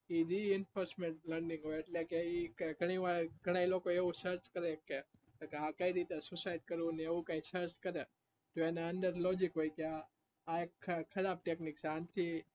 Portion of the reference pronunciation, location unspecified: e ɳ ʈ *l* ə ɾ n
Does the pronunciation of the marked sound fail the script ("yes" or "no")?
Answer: no